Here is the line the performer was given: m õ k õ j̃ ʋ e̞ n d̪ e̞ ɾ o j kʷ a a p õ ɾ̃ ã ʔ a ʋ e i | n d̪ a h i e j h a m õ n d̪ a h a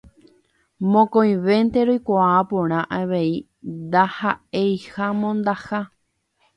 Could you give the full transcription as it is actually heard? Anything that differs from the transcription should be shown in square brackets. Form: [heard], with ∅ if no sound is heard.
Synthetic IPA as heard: m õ k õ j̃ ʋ e̞ n [t̪] e̞ ɾ o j kʷ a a p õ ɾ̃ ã ʔ a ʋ e i | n d̪ a h [a] e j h a m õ n d̪ a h a